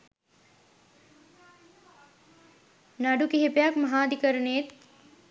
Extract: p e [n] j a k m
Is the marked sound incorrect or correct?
incorrect